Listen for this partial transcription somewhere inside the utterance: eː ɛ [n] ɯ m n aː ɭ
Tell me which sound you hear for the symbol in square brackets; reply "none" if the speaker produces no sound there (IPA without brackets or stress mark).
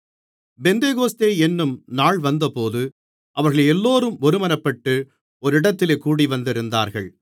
nː